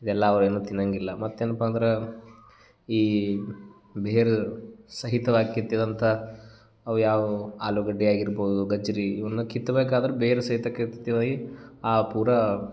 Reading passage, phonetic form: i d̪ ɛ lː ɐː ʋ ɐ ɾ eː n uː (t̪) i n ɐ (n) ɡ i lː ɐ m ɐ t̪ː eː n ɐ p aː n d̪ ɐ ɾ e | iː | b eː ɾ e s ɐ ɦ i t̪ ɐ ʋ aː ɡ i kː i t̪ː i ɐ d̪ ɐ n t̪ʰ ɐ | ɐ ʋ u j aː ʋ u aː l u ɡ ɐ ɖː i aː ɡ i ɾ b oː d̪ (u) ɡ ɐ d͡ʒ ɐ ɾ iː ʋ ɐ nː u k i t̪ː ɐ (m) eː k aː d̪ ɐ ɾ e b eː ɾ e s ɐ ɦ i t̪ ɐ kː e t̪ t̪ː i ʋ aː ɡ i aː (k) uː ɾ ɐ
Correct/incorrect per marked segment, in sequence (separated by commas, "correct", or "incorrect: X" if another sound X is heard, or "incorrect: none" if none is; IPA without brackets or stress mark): correct, incorrect: ŋ, correct, incorrect: b, incorrect: p